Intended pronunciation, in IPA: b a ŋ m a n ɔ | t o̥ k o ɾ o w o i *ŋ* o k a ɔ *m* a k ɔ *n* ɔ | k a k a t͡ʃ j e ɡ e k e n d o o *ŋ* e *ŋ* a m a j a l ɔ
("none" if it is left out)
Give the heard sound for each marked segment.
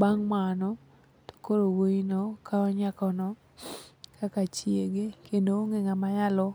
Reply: n, ɲ, n, ŋ, ŋ

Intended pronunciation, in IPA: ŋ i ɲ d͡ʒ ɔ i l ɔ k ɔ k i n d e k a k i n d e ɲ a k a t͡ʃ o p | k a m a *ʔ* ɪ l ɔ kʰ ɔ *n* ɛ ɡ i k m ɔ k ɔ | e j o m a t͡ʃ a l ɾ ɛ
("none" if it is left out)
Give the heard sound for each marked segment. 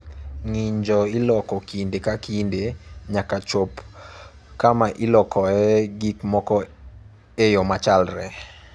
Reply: ʔ, none

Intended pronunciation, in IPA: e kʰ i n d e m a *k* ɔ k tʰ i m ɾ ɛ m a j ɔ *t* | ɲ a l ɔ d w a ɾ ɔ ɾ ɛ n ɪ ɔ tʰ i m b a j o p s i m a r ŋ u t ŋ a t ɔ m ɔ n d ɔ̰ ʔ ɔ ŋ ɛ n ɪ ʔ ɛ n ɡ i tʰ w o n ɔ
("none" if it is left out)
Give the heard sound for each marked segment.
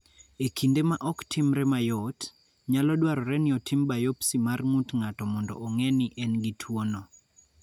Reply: ʔ, t

